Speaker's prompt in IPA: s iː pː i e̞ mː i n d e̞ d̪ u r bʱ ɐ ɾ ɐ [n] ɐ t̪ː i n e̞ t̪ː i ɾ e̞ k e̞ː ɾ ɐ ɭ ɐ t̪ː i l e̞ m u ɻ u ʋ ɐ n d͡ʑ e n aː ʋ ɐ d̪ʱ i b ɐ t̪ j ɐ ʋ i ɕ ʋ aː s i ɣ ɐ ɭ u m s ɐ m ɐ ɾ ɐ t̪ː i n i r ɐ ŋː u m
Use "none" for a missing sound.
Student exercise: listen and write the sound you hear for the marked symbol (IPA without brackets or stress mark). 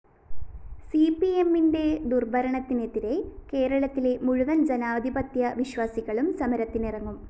ɳ